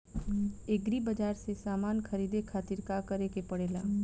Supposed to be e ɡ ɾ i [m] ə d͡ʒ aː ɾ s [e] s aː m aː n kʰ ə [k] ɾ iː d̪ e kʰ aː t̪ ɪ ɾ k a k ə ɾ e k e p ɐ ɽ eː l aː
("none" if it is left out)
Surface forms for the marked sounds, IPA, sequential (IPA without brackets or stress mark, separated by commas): b, e, none